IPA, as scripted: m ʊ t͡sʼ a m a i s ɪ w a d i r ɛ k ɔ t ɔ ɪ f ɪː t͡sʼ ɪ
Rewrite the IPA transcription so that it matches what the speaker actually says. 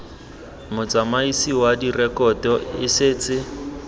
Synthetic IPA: m ʊ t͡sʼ a m a i s i w a d i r ɛ k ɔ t ɔ ɪ s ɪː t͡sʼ ɪ